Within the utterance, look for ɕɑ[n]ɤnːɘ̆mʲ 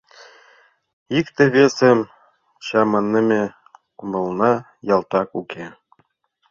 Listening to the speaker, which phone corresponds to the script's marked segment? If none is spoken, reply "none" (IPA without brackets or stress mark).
m